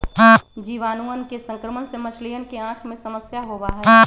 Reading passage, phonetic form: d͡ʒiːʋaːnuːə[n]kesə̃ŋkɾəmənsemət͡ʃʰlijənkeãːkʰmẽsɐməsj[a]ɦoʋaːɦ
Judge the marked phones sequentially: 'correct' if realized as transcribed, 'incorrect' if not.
correct, correct

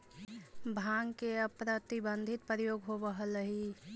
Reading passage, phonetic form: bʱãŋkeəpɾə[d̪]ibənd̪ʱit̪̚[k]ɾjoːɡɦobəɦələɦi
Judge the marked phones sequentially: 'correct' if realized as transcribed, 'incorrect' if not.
incorrect, incorrect

